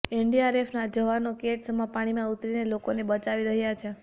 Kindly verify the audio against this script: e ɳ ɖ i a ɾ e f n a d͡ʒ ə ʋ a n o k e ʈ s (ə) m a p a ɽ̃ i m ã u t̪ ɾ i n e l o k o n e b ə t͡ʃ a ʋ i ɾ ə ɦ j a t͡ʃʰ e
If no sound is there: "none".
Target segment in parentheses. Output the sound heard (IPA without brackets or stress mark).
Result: ə